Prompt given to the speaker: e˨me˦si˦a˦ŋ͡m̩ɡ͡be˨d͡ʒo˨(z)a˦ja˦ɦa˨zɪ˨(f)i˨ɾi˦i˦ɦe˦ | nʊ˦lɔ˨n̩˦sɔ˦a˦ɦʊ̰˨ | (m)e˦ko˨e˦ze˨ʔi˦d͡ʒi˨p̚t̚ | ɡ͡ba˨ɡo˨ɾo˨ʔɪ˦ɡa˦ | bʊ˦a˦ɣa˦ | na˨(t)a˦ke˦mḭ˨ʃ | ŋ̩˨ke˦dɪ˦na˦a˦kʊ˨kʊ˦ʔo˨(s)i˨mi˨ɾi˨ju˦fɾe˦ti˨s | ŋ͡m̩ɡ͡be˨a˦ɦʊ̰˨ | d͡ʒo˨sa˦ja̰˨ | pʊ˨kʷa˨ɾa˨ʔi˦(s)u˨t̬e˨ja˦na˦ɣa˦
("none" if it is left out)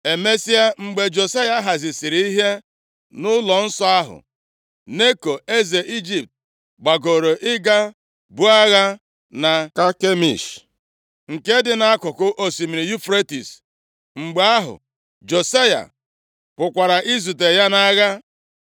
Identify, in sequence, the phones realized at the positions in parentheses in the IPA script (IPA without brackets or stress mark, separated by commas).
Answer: s, s, n, k, s, z